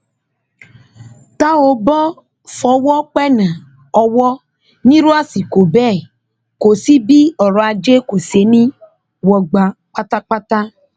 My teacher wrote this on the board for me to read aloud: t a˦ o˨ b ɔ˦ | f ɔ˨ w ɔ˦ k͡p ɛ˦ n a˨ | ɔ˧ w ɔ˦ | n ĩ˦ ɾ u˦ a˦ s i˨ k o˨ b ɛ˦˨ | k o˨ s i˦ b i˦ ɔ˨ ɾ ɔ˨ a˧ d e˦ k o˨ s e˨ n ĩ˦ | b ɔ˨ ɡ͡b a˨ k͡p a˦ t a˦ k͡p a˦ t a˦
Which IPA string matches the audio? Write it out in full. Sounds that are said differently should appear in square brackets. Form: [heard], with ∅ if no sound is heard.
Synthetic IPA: t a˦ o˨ b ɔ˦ | f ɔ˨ w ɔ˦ k͡p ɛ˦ n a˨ | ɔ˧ w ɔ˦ | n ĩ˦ ɾ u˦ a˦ s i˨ k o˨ b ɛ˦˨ | k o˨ s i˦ b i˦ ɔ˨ ɾ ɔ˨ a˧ [d͡ʒ] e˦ k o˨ s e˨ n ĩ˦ | [w] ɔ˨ ɡ͡b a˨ k͡p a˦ t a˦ k͡p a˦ t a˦